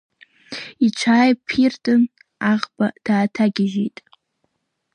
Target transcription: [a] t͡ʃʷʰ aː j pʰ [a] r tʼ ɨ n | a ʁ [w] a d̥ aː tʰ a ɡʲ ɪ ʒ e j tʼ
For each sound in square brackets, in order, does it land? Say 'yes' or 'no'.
no, no, no

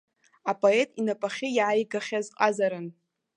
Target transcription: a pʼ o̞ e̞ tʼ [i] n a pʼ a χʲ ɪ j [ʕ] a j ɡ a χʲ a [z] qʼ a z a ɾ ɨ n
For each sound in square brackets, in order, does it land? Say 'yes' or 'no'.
yes, yes, yes

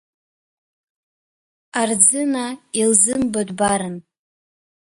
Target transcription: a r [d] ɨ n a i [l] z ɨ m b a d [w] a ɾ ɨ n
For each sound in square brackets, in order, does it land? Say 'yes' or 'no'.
no, yes, no

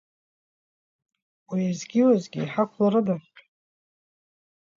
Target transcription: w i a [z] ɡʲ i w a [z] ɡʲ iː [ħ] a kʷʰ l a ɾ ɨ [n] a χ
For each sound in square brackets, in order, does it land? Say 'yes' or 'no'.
yes, yes, yes, no

